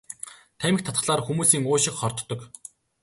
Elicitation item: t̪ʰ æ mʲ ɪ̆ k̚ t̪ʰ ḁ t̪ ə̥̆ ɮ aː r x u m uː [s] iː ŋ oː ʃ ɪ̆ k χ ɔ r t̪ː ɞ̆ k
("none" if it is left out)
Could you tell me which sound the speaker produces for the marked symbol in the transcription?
s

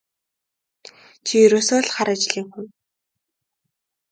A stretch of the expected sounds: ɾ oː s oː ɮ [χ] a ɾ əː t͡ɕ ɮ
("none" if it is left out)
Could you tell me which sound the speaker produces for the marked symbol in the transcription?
χ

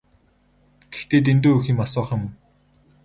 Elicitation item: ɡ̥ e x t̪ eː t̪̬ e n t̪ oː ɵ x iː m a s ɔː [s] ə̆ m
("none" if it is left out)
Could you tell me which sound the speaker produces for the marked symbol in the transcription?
χ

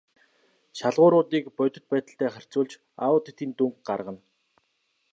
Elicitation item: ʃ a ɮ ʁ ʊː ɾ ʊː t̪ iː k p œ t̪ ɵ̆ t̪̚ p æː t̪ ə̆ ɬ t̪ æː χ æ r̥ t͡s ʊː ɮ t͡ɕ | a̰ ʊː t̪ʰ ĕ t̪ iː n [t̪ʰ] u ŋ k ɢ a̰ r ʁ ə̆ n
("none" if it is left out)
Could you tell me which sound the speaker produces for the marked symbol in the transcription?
t̪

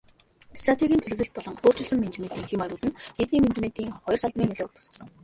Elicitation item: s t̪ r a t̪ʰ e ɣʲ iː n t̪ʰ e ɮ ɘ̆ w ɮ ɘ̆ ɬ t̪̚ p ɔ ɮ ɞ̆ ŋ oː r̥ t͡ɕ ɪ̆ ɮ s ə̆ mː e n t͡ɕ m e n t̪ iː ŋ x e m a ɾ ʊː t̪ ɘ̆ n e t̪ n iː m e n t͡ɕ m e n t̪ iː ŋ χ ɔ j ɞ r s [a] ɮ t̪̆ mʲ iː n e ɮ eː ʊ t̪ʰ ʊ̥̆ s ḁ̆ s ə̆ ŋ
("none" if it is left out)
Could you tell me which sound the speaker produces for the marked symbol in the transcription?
a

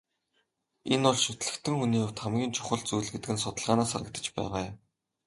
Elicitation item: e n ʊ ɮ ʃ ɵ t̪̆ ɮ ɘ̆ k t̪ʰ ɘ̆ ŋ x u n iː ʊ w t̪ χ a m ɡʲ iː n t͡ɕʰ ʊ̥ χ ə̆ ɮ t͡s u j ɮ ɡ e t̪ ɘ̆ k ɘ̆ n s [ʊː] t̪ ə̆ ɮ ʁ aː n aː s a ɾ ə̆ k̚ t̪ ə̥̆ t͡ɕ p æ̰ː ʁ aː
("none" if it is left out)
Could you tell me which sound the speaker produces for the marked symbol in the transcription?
ʊ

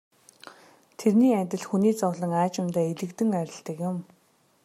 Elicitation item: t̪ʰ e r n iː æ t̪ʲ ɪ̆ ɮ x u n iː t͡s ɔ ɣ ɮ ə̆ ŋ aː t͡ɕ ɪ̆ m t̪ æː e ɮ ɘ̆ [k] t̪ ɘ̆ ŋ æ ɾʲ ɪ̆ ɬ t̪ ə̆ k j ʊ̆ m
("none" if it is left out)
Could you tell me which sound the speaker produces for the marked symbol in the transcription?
k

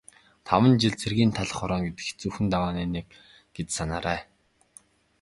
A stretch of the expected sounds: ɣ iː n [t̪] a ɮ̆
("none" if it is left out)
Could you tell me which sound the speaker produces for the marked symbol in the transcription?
t̪ʰ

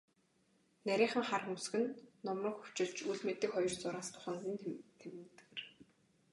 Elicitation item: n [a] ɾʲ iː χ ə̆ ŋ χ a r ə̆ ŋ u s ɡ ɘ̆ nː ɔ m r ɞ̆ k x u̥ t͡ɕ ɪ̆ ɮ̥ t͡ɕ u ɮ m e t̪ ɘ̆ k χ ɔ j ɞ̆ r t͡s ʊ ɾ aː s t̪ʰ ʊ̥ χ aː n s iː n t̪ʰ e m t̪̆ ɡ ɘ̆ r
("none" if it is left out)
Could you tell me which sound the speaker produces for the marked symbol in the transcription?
æ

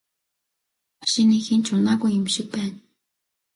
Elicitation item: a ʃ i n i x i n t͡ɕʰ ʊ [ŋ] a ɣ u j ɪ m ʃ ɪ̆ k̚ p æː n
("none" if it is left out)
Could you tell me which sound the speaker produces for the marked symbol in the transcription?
n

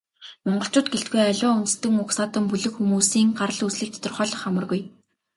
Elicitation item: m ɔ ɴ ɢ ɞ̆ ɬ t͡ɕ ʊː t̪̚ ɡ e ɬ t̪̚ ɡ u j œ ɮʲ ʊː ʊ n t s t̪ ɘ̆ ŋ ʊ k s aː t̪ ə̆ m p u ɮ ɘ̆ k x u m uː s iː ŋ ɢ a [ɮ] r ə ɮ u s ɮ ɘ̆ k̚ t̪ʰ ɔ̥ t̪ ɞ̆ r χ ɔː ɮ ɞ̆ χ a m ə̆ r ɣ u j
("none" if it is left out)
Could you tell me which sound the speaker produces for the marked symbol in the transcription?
none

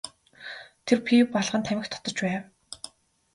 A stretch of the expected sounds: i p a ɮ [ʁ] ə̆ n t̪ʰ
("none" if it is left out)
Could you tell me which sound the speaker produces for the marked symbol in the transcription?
ʁ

